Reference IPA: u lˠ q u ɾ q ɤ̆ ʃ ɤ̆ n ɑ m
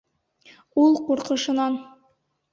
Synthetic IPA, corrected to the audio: u lˠ q u ɾ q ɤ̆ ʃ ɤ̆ n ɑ n